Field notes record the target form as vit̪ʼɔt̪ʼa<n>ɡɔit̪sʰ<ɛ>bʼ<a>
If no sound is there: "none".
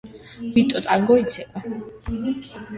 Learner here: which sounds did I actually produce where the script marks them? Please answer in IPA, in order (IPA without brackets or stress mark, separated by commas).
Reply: ŋ, ɛ, a